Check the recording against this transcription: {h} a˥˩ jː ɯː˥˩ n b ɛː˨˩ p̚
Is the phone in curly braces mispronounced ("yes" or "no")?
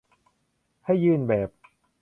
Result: no